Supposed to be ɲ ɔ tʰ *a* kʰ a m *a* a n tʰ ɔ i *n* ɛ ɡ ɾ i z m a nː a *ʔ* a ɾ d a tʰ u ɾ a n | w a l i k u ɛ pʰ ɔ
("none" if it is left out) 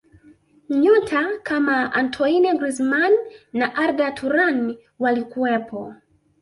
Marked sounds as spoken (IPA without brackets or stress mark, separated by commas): a, a, n, ʔ